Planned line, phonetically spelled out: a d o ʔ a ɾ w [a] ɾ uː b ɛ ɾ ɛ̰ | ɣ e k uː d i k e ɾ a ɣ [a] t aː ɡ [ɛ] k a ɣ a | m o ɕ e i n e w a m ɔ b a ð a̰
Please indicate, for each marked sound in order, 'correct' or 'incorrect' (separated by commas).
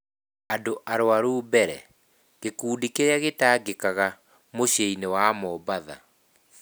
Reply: correct, incorrect, incorrect